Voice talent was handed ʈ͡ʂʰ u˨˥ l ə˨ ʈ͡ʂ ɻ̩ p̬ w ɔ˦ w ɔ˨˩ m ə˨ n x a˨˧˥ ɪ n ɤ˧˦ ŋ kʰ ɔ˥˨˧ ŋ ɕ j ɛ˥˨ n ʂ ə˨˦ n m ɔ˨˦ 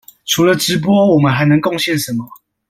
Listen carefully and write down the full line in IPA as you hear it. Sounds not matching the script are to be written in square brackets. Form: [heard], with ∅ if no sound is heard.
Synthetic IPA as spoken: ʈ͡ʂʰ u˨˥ l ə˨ ʈ͡ʂ ɻ̩ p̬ w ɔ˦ w ɔ˨˩ m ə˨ n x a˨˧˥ ɪ n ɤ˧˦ ŋ [k] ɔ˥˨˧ ŋ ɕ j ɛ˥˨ n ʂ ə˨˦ n m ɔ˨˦